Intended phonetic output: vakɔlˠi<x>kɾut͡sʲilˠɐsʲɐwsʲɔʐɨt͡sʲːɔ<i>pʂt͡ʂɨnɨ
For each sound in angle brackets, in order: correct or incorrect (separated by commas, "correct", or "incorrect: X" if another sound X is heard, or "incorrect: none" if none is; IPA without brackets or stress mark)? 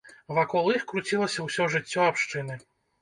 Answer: correct, incorrect: a